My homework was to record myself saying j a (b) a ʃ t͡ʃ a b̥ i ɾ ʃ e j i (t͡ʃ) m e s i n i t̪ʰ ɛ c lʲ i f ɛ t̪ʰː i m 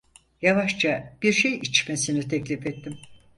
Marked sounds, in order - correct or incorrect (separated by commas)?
incorrect, correct